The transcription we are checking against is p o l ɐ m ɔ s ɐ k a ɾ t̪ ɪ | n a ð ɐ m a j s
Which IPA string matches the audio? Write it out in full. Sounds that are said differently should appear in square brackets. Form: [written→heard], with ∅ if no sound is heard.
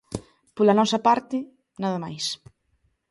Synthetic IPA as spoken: p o l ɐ [m→n] ɔ s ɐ [k→p] a ɾ t̪ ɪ | n a ð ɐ m a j s

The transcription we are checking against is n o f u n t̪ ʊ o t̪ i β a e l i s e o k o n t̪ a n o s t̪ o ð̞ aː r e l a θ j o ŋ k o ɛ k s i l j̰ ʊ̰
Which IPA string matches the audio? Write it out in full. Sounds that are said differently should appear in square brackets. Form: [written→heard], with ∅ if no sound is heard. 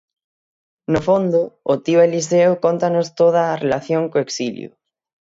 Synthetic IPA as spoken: n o f [u→o] n [t̪→d̪] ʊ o t̪ i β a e l i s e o k o n t̪ a n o s t̪ o ð̞ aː r e l a θ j o ŋ k o [ɛ→e] k s i l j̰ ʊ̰

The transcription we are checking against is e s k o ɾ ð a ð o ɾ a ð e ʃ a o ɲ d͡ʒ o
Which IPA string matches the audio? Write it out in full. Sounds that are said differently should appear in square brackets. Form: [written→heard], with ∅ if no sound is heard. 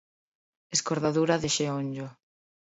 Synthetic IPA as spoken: e s k o ɾ ð a ð [o→u] ɾ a ð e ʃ [a→e] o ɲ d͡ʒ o

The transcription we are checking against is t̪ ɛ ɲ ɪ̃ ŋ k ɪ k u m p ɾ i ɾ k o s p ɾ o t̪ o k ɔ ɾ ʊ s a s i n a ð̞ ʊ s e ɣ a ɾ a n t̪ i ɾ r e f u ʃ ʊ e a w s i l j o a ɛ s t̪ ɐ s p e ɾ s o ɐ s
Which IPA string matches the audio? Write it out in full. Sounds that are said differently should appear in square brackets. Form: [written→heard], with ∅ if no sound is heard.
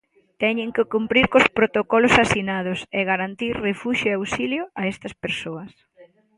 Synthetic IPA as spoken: t̪ ɛ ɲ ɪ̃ ŋ k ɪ k u m p ɾ i ɾ k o s p ɾ o t̪ o k ɔ [ɾ→l] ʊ s a s i n a ð̞ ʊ s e ɣ a ɾ a n t̪ i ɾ r e f u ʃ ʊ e a w s i l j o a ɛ s t̪ ɐ s p e ɾ s o ɐ s

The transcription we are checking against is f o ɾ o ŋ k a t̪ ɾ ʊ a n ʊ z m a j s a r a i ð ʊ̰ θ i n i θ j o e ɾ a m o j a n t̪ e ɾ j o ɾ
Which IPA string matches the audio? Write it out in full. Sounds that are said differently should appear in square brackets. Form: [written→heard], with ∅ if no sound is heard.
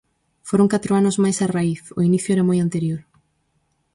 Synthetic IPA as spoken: f o ɾ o ŋ k a t̪ ɾ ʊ a n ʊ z m a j s a r a i [ð→θ] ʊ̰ [θ→∅] i n i θ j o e ɾ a m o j a n t̪ e ɾ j o ɾ

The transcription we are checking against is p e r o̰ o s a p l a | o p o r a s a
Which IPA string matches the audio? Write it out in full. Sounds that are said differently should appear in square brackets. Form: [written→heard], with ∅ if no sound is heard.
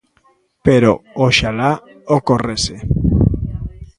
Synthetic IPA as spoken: p e [r→ɾ] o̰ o [s→ʃ] a [p→∅] l a | o [p→k] o r [a→e] s [a→e]

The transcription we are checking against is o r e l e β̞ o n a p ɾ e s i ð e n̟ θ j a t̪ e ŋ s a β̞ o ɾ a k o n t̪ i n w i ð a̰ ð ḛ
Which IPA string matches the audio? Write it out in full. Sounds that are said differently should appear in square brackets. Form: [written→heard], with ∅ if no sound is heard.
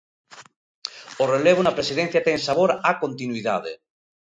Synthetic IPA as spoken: o r e l e β̞ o n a p ɾ e s i ð e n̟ θ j a t̪ e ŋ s a β̞ o ɾ a k o n t̪ i n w i ð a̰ ð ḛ

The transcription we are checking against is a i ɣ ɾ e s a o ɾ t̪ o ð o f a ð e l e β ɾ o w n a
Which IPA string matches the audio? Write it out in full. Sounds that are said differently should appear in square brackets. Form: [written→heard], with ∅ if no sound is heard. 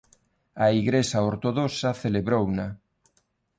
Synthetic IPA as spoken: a i ɣ ɾ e s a o ɾ t̪ o ð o [f→s] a [ð→θ] e l e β ɾ o w n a

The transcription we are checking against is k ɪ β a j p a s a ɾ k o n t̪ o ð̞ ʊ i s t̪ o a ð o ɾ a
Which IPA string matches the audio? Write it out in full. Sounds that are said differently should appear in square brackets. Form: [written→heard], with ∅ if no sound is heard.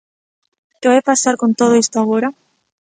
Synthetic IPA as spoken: k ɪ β a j p a s a ɾ k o n t̪ o ð̞ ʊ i s t̪ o a [ð→ɣ] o ɾ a

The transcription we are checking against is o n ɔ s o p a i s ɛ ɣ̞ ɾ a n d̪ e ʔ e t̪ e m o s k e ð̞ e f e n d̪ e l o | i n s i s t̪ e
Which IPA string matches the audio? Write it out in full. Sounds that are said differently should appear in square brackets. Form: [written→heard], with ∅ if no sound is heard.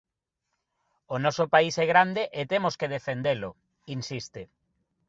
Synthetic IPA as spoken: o n ɔ s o p a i s ɛ ɣ̞ ɾ a n d̪ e ʔ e t̪ e m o s k e ð̞ e f e n d̪ e l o | i n s i s t̪ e

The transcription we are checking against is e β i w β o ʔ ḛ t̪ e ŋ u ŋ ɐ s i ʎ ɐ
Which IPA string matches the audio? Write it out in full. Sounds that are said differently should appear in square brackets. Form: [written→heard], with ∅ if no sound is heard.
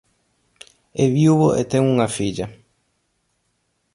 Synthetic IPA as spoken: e β i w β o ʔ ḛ t̪ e ŋ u ŋ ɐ [s→f] i ʎ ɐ

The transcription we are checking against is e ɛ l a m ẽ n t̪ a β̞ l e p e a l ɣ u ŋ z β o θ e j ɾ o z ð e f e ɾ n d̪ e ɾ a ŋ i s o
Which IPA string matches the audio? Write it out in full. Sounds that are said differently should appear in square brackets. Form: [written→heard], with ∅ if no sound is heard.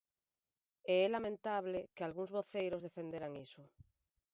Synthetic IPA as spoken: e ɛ l a m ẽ n t̪ a β̞ l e [p→k] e a l ɣ u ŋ z β o θ e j ɾ o z ð e f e [ɾ→∅] n d̪ e ɾ a ŋ i s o

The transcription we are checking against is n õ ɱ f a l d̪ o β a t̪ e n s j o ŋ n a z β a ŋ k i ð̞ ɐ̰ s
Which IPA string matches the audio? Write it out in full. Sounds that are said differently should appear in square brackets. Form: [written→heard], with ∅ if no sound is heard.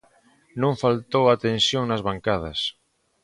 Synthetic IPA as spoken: n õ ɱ f a l [d̪→t̪] o [β→w] a t̪ e n s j o ŋ n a z β a ŋ k [i→a] ð̞ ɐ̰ s

